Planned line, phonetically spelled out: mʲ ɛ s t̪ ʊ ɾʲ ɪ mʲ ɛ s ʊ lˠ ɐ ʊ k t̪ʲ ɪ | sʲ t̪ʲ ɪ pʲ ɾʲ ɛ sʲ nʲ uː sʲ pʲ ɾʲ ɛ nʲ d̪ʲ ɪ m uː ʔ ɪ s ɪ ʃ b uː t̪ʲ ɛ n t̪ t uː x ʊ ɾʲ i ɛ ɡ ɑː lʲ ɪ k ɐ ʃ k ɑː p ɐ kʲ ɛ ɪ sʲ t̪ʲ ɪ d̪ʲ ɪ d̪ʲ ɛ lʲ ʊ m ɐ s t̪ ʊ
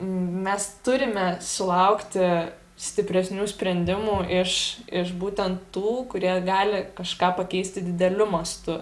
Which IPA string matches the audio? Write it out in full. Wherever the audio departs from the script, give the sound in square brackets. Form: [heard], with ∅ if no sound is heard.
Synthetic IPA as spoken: mʲ ɛ s t̪ ʊ ɾʲ ɪ mʲ ɛ s ʊ lˠ ɐ ʊ k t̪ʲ ɪ | sʲ t̪ʲ ɪ pʲ ɾʲ ɛ sʲ nʲ uː sʲ pʲ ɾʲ ɛ nʲ d̪ʲ ɪ m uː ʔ ɪ [ʃ] ɪ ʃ b uː t̪ʲ ɛ n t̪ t uː [k] ʊ ɾʲ i ɛ ɡ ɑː lʲ ɪ k ɐ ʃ k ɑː p ɐ kʲ ɛ ɪ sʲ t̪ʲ ɪ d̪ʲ ɪ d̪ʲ ɛ lʲ ʊ m ɐ s t̪ ʊ